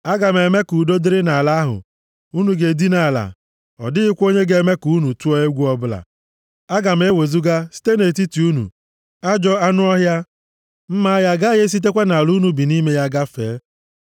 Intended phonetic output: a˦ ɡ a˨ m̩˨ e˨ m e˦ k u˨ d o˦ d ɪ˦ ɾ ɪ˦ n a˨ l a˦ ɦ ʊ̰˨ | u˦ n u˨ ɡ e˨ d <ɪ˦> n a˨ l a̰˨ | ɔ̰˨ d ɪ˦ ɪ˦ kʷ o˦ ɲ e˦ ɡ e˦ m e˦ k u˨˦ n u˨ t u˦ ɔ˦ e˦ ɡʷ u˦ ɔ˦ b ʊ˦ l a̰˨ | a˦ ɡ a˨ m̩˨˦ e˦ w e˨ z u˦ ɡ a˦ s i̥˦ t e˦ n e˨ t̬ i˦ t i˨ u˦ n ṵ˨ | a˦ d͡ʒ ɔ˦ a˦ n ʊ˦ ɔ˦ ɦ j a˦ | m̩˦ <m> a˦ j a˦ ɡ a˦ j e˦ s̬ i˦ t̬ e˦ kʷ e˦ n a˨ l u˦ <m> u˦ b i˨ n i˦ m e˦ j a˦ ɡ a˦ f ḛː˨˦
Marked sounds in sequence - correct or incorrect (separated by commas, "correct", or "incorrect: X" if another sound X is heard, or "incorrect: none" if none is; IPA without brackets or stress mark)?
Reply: incorrect: i˦, correct, incorrect: n